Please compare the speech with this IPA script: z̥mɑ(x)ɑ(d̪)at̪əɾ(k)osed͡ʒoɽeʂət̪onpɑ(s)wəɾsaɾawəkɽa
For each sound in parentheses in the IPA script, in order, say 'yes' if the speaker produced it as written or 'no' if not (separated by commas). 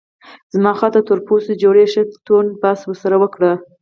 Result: yes, no, no, yes